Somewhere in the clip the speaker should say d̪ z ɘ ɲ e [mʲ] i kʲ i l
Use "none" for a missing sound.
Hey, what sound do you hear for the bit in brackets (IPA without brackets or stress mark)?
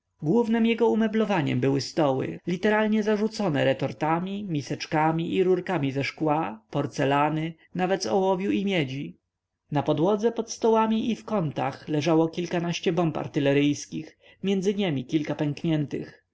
mʲ